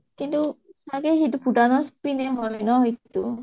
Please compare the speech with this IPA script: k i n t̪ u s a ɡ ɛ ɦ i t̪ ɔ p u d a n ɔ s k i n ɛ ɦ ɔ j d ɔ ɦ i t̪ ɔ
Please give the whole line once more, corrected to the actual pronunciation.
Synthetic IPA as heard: k i n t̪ u s a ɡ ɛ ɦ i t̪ u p u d a n ɔ s p i n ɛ ɦ ɔ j n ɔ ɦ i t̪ u

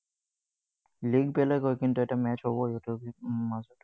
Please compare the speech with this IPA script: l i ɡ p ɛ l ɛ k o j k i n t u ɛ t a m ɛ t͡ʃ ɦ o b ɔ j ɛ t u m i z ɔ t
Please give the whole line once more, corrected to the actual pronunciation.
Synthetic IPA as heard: l i ɡ p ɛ l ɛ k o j k i n t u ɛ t a m ɛ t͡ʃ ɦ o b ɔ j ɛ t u m a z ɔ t

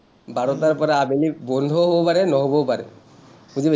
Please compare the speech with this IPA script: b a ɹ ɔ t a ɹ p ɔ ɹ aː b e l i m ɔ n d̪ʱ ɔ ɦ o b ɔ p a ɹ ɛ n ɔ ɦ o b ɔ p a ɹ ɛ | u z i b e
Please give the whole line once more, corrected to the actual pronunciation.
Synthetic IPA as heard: b a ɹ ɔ t a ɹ p ɔ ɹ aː b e l i b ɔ n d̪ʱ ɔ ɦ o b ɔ p a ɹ ɛ n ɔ ɦ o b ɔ p a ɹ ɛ | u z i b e

